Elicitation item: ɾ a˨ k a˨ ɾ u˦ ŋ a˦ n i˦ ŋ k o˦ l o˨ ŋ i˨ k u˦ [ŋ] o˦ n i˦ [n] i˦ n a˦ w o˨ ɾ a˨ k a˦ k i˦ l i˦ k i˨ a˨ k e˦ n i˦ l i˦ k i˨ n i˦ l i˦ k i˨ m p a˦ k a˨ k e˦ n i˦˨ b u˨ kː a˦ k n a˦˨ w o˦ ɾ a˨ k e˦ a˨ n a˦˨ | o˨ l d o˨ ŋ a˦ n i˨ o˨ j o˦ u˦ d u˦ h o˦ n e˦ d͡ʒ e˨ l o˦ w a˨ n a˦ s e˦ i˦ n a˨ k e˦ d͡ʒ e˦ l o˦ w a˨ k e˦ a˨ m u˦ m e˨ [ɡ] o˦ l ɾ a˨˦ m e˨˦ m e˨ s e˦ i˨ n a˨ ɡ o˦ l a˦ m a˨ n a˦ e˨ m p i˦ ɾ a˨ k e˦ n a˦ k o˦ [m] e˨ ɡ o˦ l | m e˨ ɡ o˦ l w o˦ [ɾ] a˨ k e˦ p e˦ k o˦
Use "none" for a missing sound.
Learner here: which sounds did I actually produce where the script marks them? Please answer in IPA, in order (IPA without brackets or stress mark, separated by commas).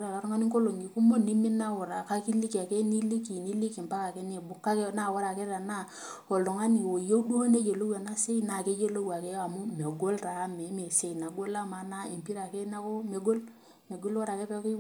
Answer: m, m, ɡ, m, ɾ